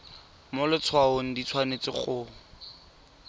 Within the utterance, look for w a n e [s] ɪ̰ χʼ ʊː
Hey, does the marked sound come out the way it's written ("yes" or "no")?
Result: no